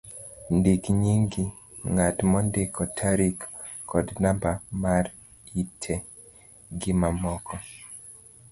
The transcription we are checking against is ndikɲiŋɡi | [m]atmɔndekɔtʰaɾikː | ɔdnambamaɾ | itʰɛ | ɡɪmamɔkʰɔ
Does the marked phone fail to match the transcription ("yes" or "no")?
yes